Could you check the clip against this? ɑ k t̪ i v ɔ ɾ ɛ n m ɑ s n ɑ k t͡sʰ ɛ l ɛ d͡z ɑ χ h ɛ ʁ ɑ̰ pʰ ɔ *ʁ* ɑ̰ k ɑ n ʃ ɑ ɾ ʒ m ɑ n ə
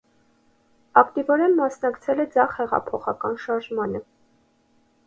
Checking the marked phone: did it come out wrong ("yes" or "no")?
yes